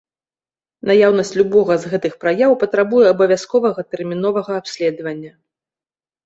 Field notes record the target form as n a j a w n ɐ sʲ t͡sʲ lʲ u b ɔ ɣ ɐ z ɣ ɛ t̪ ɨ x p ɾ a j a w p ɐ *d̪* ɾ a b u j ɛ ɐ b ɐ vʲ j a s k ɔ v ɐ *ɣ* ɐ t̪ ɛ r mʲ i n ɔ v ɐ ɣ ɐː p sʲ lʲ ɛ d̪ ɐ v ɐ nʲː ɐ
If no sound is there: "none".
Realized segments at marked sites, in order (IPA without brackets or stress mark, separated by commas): t̪, ɣ